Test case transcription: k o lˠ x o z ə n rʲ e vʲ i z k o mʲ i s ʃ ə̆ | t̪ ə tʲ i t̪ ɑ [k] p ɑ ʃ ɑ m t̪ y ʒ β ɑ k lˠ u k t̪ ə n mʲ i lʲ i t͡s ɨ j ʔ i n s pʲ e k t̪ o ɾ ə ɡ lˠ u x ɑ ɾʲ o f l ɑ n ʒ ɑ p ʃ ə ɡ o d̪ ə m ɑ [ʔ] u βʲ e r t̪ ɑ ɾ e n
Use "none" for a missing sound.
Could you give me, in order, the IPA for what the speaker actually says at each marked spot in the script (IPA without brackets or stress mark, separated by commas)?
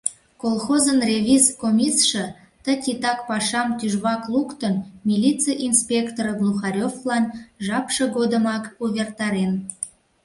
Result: k, k